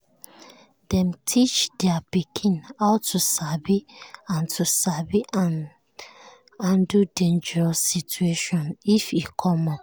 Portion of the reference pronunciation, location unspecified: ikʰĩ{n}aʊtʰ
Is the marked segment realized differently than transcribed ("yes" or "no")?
no